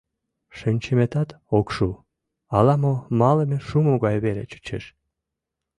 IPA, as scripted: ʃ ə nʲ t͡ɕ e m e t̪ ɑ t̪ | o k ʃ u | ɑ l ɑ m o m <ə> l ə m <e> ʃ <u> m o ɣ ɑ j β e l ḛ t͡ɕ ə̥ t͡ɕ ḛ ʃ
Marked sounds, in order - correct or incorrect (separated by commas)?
incorrect, correct, correct